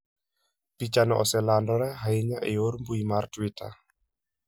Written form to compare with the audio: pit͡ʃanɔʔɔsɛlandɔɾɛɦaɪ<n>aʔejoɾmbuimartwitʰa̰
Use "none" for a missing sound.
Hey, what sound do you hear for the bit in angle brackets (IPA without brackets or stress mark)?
ɲ